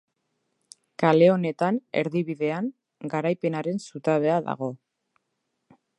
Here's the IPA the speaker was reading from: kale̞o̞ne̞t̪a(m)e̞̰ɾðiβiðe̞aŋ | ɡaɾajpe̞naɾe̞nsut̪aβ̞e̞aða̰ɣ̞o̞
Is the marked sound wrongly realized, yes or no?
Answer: yes